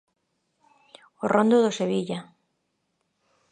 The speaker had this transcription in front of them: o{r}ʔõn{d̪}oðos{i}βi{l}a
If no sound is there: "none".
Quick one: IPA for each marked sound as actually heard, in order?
r, d̪, e, ʎ

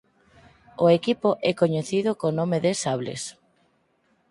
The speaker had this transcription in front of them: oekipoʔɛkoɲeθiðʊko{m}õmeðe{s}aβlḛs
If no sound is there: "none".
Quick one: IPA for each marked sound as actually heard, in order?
n, s

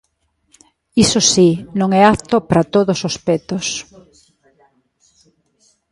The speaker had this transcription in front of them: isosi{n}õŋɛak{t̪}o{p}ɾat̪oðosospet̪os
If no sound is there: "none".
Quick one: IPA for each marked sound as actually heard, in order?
n, t̪, p

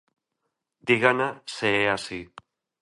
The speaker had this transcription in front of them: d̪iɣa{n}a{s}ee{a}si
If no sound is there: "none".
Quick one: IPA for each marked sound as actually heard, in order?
n, s, a

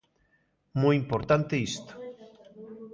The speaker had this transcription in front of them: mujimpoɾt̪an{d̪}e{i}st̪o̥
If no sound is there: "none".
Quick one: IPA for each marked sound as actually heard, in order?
t̪, i

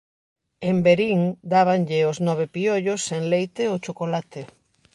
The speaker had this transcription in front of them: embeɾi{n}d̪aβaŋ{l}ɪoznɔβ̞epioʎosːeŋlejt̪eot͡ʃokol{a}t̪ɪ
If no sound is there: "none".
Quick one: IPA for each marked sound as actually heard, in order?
ŋ, ʎ, a

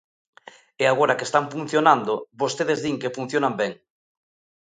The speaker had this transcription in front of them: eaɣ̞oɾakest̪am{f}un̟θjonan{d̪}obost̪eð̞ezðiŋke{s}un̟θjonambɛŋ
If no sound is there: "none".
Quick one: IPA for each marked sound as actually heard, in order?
f, d̪, f

